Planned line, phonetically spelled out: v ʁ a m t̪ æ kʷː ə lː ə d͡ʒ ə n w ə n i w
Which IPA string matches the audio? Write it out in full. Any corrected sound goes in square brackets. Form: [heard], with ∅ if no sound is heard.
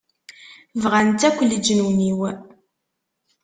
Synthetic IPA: v ʁ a [n] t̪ æ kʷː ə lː ə d͡ʒ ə n w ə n i w